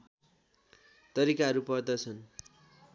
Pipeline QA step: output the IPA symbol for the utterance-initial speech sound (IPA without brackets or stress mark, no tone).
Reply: t̪